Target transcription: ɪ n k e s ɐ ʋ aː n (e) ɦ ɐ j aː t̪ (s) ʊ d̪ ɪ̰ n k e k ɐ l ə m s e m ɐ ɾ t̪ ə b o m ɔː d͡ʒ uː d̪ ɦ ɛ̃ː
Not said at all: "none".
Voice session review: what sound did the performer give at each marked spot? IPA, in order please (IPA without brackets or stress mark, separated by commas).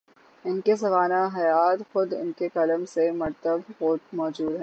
a, x